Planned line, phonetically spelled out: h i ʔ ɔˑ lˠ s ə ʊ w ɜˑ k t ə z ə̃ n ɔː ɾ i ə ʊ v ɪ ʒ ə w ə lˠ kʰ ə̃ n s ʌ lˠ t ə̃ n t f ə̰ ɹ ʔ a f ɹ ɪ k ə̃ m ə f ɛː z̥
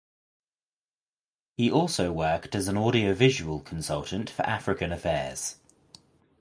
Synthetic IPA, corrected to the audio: h i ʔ ɔˑ lˠ s ə ʊ w ɜˑ k t ə z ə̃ n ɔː ɾ i ə ʊ v ɪ ʒ ə w ə lˠ kʰ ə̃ n s ʌ lˠ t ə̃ n t f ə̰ ɹ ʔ a f ɹ ɪ k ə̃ n ə f ɛː z̥